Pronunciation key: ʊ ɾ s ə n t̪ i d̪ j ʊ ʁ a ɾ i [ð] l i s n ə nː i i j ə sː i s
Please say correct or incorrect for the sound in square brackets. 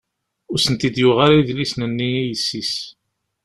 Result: correct